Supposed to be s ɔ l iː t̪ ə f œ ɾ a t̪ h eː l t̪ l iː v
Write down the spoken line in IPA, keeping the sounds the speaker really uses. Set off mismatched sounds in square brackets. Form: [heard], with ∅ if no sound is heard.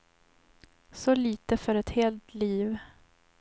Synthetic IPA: s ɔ l iː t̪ ə f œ ɾ [ɛ] t̪ h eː l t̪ l iː v